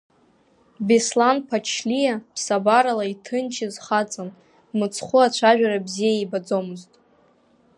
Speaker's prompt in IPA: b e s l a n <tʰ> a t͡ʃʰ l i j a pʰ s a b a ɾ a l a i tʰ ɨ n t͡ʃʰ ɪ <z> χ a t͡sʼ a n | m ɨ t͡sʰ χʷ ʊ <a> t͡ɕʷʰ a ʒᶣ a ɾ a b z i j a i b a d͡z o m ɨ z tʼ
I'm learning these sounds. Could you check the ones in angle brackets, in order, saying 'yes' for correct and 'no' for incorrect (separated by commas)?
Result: no, yes, yes